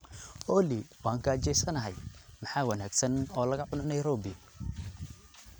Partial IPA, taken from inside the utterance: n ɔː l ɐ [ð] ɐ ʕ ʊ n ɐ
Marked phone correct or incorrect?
incorrect: ɣ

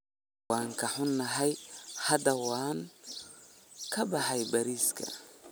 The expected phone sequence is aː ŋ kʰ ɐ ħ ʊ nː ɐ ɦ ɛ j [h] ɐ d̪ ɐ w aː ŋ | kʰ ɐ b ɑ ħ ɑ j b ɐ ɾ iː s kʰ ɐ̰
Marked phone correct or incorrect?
correct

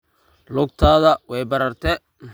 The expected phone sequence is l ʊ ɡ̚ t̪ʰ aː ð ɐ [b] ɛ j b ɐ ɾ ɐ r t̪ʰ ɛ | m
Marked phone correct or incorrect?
incorrect: w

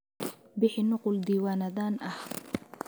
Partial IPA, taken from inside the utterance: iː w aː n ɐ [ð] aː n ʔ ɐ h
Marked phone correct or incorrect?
correct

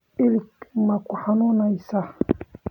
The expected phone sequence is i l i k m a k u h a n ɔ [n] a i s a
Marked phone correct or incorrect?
correct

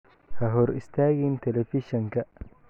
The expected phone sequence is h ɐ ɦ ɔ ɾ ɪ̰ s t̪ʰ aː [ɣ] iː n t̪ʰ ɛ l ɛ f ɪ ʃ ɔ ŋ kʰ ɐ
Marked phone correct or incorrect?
correct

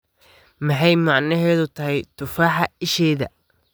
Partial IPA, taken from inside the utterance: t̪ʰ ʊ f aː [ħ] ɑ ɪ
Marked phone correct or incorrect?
correct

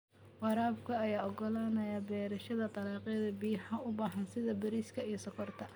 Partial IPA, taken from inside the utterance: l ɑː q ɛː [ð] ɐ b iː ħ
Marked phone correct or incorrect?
correct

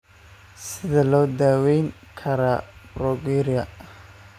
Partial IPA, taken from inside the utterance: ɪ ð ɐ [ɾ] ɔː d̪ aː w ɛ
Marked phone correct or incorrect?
incorrect: l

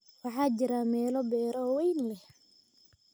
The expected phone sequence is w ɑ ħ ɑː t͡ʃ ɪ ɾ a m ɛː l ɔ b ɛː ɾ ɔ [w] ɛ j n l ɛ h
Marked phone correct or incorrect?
correct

